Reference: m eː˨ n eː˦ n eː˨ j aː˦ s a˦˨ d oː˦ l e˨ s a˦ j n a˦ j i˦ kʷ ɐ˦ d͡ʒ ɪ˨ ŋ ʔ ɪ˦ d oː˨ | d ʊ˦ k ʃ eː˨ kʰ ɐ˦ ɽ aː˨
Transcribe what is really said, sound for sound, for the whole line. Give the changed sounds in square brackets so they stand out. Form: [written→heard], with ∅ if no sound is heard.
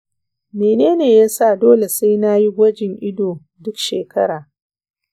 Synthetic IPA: m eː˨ n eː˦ n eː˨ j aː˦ s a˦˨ d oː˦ l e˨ s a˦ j n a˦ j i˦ [kʷ→ɡʷ] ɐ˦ d͡ʒ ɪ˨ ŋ ʔ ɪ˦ d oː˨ | d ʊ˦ k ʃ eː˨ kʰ ɐ˦ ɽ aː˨